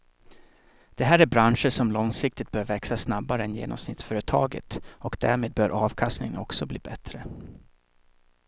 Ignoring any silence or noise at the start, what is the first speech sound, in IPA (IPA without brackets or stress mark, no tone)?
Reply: d̪̥